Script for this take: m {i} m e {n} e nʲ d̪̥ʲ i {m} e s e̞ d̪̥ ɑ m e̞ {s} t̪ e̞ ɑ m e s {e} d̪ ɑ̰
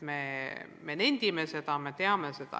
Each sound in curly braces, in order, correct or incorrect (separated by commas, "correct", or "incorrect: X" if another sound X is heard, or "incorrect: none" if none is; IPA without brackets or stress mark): incorrect: e, correct, correct, incorrect: none, correct